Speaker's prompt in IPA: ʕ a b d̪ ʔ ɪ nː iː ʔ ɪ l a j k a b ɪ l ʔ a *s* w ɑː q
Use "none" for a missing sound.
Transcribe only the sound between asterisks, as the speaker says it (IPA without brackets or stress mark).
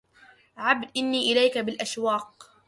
ʃ